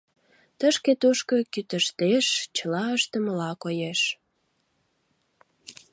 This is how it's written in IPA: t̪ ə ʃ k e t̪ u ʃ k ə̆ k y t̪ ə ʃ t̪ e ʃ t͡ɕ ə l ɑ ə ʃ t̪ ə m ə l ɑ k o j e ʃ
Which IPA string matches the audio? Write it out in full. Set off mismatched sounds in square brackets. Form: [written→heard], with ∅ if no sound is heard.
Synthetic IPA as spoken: t̪ ə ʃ k e t̪ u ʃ k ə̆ k y t̪ ə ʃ t̪ e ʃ t͡ɕ ə l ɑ ə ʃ t̪ ə m ə l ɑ k o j e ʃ